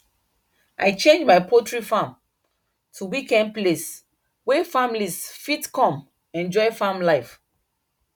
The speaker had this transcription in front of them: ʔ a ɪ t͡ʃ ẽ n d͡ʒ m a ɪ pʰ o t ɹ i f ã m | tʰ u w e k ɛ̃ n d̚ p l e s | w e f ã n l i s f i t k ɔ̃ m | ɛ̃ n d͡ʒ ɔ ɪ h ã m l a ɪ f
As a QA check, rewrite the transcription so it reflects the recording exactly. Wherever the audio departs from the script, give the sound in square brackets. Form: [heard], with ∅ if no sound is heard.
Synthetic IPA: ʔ a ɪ t͡ʃ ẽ n d͡ʒ m a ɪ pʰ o t ɹ i f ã m | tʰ u w [i] k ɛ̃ n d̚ p l e s | w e f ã [m] l i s f i t k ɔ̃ m | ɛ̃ n d͡ʒ ɔ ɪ [f] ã m l a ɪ f